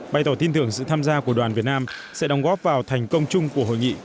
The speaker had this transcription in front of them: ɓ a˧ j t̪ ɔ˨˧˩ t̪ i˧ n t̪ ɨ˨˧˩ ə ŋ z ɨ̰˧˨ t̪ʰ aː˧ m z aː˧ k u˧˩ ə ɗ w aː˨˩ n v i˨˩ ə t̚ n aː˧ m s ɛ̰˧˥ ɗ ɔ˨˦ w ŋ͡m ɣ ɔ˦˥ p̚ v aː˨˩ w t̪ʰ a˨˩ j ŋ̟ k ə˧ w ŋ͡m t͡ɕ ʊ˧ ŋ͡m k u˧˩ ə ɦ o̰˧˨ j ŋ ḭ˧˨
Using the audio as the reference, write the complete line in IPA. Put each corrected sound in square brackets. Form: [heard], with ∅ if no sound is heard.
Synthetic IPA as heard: ɓ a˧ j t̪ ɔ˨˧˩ t̪ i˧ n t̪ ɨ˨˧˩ ə ŋ [s] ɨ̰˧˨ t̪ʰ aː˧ m z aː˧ k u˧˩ ə ɗ w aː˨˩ n v i˨˩ ə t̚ n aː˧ m s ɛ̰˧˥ ɗ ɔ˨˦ w ŋ͡m ɣ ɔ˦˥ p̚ v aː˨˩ w t̪ʰ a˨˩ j ŋ̟ k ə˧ w ŋ͡m t͡ɕ ʊ˧ ŋ͡m k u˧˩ ə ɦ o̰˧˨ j ŋ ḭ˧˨